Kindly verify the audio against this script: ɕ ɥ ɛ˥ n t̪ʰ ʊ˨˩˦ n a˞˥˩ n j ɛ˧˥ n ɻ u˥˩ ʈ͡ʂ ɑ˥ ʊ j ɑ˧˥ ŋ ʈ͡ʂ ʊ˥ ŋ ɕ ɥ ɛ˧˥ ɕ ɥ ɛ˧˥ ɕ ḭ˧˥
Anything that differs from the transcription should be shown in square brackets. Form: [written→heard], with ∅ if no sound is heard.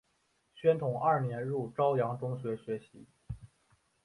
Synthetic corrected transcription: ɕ ɥ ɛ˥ n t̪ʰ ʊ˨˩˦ [n→ŋ] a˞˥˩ n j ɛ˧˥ n ɻ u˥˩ ʈ͡ʂ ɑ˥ ʊ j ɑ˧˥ ŋ ʈ͡ʂ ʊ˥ ŋ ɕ ɥ ɛ˧˥ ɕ ɥ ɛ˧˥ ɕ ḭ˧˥